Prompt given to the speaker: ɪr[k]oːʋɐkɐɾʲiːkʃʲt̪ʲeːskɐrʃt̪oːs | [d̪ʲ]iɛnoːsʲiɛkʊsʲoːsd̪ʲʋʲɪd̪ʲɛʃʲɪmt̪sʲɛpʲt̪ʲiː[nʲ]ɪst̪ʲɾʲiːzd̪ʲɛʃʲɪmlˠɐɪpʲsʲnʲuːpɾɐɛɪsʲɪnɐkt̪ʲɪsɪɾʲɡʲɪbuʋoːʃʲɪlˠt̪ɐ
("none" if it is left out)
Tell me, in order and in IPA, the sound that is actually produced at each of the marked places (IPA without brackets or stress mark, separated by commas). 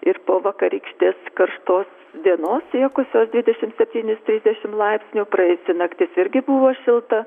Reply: p, d̪ʲ, nʲ